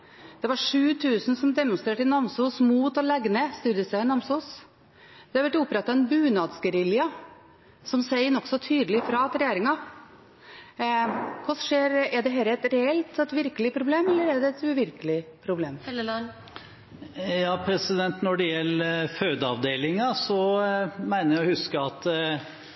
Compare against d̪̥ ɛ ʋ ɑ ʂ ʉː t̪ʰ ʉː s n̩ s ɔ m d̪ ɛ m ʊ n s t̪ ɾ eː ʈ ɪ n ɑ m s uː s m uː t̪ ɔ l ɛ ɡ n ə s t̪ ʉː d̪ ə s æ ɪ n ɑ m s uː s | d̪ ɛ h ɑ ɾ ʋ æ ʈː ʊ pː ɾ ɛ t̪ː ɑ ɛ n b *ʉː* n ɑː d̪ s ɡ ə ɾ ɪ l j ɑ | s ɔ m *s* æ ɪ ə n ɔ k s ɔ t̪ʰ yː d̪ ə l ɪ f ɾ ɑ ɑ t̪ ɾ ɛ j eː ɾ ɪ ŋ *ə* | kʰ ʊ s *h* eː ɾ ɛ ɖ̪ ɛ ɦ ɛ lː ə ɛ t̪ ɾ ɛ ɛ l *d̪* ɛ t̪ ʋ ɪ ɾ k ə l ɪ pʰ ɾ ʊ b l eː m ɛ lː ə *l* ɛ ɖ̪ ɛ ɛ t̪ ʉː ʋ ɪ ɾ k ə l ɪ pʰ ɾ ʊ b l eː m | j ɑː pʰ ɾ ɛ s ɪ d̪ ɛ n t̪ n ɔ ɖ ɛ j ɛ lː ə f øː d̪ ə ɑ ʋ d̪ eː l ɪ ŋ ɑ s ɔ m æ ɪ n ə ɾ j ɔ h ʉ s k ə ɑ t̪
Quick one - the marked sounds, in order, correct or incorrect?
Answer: correct, correct, incorrect, incorrect, incorrect, incorrect

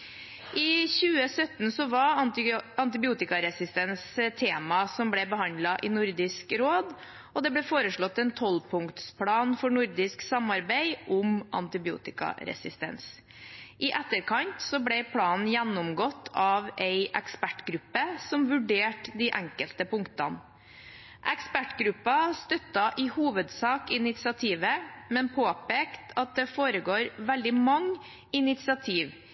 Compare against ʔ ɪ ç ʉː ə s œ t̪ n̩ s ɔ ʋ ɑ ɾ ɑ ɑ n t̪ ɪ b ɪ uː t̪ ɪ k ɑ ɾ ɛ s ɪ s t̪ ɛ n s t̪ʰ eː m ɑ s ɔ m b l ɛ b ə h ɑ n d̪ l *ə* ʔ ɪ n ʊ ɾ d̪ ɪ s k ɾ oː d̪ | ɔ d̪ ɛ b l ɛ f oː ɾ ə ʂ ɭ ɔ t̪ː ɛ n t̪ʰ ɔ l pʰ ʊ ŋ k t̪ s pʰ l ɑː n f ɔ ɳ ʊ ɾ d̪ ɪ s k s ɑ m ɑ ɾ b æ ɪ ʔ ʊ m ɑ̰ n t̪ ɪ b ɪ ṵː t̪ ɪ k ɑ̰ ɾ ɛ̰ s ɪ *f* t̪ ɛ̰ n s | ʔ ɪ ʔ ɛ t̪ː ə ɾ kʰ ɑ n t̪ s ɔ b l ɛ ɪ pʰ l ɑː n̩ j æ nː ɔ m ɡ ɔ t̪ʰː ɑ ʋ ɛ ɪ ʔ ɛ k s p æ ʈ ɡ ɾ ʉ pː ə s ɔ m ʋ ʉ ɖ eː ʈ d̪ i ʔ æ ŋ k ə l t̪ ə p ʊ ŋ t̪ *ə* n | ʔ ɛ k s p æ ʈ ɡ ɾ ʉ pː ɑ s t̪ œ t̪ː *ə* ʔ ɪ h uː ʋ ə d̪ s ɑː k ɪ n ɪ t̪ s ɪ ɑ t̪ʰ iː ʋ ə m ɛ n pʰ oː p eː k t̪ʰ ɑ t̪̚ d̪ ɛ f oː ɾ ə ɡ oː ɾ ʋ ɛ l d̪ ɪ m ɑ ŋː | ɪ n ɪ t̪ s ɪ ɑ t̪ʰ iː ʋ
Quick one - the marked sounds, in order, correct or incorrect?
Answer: incorrect, incorrect, incorrect, incorrect

